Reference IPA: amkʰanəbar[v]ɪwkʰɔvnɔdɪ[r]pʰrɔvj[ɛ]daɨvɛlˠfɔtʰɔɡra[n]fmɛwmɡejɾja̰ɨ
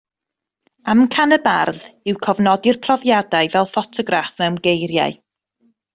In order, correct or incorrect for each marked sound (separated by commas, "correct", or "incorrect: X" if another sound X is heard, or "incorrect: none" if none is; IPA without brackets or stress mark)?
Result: incorrect: ð, correct, incorrect: a, incorrect: none